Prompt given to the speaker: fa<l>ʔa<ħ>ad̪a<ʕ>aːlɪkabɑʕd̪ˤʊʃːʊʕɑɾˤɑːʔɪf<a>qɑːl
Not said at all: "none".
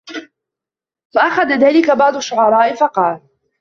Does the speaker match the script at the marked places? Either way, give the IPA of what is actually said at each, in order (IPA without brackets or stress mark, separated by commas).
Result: none, x, ð, ɑ